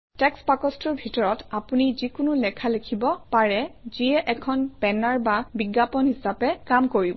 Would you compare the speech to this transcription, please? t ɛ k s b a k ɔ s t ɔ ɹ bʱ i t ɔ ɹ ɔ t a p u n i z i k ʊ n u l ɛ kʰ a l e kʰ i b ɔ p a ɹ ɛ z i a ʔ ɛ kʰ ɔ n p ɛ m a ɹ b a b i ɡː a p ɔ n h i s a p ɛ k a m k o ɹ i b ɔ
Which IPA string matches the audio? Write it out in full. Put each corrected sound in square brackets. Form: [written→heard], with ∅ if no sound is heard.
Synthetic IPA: t ɛ k s [b→p] a k ɔ s t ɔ ɹ bʱ i t ɔ ɹ ɔ t a p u n i z i k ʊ n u l ɛ kʰ a l e kʰ i b ɔ p a ɹ ɛ z i [a→ɛ] ʔ ɛ kʰ ɔ n p ɛ [m→n] a ɹ b a b i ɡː a p ɔ n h i s a p ɛ k a m k o ɹ i b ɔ